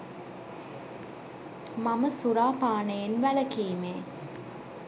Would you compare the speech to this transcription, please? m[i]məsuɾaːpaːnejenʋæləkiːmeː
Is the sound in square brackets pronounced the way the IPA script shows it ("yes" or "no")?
no